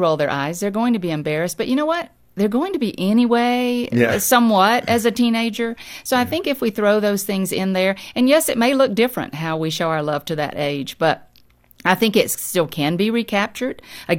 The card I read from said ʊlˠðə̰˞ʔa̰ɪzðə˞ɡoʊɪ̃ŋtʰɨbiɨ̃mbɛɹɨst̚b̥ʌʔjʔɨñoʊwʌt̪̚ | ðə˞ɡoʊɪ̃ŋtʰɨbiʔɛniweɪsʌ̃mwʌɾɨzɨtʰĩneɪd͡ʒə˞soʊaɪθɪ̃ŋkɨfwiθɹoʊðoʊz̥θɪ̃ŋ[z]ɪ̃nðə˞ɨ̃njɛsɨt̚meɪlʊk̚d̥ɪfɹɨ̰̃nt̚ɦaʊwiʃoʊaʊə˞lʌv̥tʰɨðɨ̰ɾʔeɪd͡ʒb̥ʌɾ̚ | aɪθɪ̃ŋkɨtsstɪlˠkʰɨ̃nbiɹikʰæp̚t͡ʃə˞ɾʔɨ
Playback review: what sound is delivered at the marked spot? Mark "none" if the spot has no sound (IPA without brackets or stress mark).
z